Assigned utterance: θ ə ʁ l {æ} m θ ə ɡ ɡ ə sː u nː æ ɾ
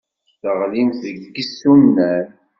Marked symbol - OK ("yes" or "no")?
no